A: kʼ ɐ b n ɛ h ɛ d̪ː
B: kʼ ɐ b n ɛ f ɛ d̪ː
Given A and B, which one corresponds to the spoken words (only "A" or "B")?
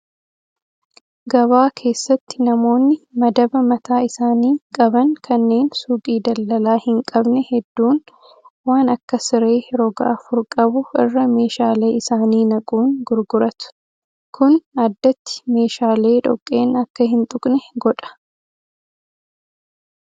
A